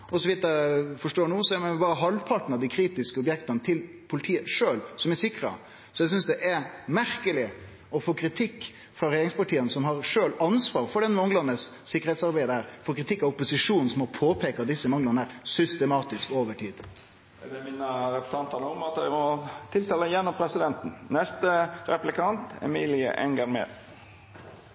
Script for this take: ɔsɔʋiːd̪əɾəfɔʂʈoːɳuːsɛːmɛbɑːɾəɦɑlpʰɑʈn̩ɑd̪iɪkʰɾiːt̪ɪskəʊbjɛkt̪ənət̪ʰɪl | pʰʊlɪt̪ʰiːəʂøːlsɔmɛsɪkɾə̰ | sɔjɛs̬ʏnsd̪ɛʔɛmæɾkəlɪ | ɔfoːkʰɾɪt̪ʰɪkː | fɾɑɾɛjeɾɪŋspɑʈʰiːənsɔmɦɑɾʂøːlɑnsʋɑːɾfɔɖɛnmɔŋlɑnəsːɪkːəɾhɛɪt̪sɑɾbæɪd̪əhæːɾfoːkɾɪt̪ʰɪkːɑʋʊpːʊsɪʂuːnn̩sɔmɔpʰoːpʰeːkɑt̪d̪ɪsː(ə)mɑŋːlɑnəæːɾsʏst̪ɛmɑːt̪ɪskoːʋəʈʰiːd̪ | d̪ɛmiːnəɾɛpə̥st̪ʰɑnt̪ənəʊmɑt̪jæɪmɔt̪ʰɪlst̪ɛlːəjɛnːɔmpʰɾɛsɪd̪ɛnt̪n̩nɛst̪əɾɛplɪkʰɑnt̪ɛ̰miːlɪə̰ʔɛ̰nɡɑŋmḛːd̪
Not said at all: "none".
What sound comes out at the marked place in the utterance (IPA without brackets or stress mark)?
ə